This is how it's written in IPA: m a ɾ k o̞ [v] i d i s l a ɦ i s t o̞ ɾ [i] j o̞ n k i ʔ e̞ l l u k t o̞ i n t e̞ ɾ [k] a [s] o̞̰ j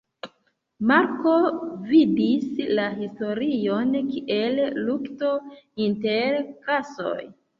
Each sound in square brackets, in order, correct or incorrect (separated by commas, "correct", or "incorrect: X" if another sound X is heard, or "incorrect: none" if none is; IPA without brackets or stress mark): correct, correct, correct, correct